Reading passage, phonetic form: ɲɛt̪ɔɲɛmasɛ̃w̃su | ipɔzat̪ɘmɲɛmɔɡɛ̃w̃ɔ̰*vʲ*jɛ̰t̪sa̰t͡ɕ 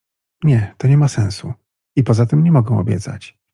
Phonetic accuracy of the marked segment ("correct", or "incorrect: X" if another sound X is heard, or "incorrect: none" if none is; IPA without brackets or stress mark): incorrect: bʲ